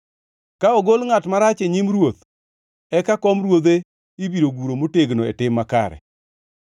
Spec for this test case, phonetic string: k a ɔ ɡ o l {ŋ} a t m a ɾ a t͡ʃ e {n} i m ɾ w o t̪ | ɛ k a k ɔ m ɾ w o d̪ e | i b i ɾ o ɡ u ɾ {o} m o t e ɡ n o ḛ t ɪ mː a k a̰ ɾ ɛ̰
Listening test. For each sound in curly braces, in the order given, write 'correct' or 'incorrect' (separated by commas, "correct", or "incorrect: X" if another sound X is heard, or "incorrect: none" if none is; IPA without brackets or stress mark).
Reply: correct, incorrect: ɲ, correct